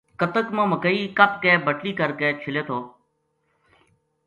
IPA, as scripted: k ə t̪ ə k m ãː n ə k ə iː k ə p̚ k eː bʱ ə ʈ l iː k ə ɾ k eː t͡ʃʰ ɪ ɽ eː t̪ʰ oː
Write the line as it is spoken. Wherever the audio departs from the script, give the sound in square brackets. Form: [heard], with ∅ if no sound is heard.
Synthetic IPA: k ə t̪ ə k m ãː [m] ə k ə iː k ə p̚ k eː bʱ ə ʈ l iː k ə ɾ k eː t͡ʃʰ ɪ [l] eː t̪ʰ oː